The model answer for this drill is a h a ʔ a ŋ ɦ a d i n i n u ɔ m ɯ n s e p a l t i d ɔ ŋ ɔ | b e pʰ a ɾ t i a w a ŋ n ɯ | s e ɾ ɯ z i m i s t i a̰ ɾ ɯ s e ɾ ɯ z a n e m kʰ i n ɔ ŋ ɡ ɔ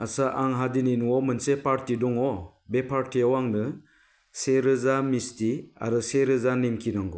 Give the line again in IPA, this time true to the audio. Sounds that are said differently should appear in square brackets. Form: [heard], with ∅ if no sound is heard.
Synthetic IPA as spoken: a [s] a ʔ a ŋ ɦ a d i n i n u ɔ m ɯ n s e p a [ɾ] t i d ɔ ŋ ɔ | b e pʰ a ɾ t i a w a ŋ n ɯ | s e ɾ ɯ z [a] m i s t i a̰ ɾ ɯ s e ɾ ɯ z a n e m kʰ i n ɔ ŋ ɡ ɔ